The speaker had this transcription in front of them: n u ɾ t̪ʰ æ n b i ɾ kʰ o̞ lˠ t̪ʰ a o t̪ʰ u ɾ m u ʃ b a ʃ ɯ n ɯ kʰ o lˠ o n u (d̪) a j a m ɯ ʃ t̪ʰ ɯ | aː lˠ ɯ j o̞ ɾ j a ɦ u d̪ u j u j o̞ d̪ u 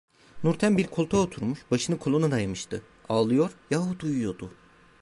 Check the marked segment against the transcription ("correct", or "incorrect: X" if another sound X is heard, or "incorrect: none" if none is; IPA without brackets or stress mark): correct